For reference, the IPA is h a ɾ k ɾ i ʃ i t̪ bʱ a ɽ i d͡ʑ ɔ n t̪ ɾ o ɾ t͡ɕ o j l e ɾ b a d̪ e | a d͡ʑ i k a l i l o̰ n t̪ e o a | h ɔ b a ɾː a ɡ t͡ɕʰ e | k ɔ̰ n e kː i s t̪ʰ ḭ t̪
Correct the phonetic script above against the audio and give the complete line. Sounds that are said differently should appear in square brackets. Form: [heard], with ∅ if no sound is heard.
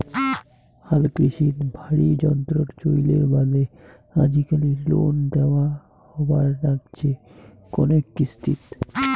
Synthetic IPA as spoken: h a [l] k ɾ i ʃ i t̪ bʱ a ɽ i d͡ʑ ɔ n t̪ ɾ o ɾ t͡ɕ o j l e ɾ b a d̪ e | a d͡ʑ i k a l i l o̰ n [d̪] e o a | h ɔ b a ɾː a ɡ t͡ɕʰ e | k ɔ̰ n e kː i s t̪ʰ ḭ t̪